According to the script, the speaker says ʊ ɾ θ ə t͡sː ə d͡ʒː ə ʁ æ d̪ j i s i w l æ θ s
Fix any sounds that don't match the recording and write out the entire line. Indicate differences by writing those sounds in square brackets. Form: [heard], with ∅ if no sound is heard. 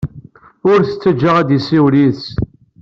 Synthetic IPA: ʊ ɾ θ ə t͡sː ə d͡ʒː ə ʁ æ d̪ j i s i w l [i] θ s